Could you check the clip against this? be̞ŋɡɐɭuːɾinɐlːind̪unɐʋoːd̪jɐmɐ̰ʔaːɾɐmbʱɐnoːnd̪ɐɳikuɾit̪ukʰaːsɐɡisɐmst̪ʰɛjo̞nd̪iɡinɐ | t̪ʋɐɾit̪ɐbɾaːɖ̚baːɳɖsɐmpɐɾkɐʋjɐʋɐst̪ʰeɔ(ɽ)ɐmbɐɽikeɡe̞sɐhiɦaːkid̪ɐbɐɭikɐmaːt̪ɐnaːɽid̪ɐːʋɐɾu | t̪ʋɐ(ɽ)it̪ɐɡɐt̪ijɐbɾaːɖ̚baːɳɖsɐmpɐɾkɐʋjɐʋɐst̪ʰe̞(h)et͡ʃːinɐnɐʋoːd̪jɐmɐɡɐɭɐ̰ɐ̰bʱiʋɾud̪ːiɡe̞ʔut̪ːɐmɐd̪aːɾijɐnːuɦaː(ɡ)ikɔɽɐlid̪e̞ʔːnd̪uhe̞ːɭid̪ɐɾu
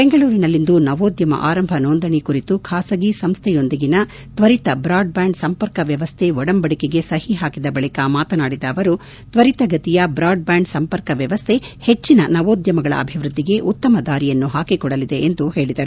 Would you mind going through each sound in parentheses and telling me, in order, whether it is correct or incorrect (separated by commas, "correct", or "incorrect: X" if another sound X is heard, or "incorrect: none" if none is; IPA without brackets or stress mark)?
correct, incorrect: ɾ, correct, incorrect: k